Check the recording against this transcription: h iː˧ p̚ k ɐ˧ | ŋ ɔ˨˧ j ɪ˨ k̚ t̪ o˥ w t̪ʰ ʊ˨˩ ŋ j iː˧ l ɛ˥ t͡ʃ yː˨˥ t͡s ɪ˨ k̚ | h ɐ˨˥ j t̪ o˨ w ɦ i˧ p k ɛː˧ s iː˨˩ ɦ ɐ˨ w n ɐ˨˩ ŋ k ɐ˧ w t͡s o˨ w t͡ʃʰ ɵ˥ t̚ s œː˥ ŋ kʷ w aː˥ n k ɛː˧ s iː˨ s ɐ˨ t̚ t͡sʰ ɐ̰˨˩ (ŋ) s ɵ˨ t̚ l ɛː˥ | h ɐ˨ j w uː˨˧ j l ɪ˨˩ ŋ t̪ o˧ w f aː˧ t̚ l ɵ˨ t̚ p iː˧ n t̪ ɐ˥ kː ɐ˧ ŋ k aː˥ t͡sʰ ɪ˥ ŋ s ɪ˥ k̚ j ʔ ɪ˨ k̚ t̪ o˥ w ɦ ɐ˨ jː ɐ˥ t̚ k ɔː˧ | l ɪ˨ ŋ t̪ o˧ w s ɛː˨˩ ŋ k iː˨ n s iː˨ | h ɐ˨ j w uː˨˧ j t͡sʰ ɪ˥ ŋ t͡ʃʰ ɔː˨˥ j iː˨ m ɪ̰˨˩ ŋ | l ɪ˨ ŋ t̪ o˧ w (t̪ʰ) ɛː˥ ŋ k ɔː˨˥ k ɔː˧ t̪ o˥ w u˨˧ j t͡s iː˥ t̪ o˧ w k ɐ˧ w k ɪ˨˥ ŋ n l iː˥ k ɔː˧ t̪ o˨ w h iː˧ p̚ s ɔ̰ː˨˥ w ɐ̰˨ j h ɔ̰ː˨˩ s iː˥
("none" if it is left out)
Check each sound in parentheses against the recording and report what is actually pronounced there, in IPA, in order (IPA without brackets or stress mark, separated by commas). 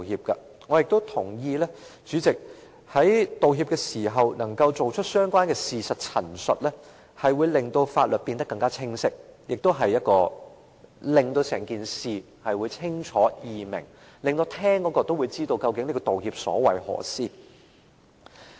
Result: n, t̪ʰ